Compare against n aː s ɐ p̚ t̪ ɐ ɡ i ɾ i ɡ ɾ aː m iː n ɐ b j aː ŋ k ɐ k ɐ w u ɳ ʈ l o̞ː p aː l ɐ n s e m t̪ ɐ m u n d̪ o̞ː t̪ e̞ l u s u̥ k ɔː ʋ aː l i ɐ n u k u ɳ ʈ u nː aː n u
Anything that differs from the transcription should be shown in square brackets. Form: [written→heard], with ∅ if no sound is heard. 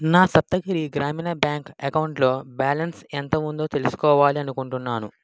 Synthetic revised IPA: n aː s ɐ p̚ t̪ ɐ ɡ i ɾ i ɡ ɾ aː m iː n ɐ b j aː ŋ k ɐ k ɐ w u ɳ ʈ l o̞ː [p→b] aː l ɐ n s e [m→n] t̪ ɐ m u n d̪ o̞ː t̪ e̞ l u s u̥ k ɔː ʋ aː l i ɐ n u k u ɳ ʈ u nː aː n u